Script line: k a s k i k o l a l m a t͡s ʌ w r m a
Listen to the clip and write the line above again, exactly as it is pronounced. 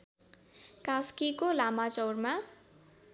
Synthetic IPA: k a s k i k o l a m a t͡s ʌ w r m a